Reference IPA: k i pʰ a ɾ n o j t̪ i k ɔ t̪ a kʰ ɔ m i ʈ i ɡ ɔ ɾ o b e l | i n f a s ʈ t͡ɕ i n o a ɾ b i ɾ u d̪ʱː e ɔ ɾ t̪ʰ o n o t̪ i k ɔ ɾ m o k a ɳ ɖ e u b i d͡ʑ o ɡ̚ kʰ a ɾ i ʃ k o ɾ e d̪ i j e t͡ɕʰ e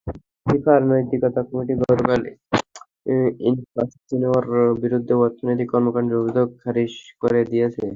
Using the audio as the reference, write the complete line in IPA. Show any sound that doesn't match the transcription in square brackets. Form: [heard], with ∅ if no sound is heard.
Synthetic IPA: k i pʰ a ɾ n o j t̪ i k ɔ t̪ a [k] ɔ m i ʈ i ɡ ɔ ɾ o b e l | i n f a s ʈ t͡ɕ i n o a ɾ b i ɾ u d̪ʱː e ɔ ɾ t̪ʰ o n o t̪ i k ɔ ɾ m o k a ɳ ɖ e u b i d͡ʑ o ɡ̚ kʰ a ɾ i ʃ k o ɾ e d̪ i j e t͡ɕʰ e